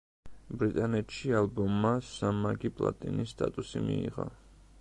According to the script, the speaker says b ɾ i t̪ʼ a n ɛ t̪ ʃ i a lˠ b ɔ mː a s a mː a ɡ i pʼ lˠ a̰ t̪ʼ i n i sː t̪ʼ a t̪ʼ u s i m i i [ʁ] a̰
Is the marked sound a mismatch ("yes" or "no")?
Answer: no